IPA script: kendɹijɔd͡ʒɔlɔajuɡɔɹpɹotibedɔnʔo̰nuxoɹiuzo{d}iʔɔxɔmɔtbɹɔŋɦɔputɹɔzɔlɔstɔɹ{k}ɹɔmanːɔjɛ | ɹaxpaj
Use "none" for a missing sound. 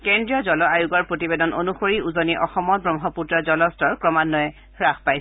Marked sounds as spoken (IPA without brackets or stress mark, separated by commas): n, k